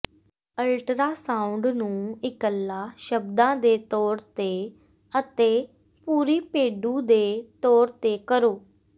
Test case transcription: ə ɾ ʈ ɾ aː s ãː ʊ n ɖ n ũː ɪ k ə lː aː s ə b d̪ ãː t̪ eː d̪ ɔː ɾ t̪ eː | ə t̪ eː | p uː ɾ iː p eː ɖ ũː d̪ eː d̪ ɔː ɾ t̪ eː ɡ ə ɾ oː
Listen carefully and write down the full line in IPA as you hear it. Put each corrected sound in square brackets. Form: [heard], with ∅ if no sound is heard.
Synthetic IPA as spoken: ə [l] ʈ ɾ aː s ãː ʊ [ɳ] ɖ n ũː ɪ k ə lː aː [ʃ] ə b d̪ ãː [d̪] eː [t̪] ɔː ɾ t̪ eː | ə t̪ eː | p uː ɾ iː p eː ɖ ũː d̪ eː [t̪] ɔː ɾ t̪ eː [k] ə ɾ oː